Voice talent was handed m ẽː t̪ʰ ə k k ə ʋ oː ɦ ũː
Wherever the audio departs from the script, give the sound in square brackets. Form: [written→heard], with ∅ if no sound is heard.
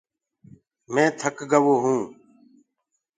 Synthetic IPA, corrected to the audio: m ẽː t̪ʰ ə k [k→ɡ] ə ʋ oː ɦ ũː